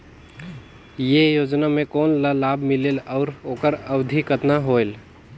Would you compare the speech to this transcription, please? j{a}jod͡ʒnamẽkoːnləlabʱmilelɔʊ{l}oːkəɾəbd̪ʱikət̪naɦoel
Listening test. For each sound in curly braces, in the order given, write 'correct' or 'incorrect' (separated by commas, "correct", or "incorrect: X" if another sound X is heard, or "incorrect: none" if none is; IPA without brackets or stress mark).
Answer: incorrect: e, incorrect: ɾ